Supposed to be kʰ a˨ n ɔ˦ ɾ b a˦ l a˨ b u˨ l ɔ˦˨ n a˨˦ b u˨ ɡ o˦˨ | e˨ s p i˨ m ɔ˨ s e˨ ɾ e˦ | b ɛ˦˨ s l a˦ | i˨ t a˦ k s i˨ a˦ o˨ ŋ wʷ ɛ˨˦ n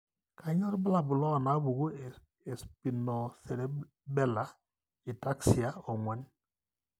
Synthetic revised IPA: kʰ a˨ ɲ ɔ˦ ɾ b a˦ l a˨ b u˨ l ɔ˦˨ n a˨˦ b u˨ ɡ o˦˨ | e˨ s p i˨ n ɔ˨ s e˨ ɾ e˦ | b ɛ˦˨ l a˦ | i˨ t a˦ k s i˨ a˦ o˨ ŋ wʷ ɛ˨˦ n